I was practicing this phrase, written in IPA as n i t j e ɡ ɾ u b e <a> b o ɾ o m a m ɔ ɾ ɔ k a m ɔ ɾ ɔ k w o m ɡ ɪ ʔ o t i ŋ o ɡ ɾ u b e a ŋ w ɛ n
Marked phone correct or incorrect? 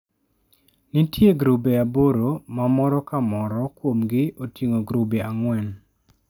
correct